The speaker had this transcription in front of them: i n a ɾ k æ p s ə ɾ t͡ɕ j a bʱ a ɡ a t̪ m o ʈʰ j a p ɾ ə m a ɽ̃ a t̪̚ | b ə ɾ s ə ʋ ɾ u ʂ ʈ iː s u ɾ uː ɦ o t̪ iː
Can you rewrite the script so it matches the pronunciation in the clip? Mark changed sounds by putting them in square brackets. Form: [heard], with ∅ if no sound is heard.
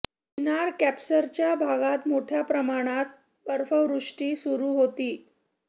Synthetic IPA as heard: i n a ɾ k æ p s ə ɾ t͡ɕ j a bʱ a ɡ a t̪ m o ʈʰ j a p ɾ ə m a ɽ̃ a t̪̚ | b ə ɾ [f] ə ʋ ɾ u ʂ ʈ iː s u ɾ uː ɦ o t̪ iː